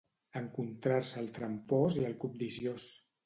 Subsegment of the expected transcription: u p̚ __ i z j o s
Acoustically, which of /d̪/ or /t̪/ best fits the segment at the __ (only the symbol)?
d̪